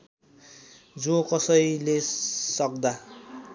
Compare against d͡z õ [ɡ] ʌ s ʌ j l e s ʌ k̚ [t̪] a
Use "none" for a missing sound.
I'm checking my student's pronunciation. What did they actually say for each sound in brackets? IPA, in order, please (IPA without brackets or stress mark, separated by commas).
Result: k, d̪